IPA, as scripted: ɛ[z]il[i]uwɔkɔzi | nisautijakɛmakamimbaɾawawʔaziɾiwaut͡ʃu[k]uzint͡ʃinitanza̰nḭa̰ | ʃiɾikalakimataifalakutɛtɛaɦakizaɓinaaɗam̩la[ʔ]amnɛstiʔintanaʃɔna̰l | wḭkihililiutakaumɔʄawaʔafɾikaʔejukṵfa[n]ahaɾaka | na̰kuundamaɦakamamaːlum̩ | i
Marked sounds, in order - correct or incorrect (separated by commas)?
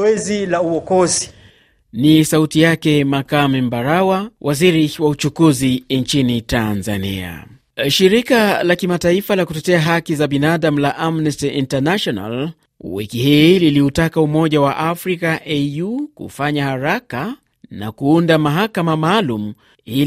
correct, incorrect, correct, correct, incorrect